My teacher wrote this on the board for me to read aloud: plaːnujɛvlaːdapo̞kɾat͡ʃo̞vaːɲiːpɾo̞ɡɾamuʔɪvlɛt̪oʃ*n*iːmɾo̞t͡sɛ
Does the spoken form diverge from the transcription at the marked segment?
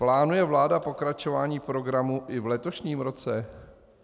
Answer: yes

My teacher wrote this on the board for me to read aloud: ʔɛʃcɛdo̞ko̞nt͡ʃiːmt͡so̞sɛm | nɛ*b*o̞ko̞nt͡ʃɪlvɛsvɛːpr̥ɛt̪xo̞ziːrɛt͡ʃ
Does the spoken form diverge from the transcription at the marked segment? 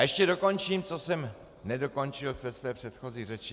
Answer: yes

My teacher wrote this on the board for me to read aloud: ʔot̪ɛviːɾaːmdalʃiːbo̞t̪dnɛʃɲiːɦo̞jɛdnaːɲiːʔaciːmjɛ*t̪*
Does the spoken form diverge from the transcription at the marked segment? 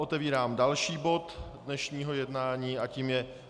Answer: yes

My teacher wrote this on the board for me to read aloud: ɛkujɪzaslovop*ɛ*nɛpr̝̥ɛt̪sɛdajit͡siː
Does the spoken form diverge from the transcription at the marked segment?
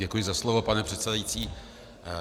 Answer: yes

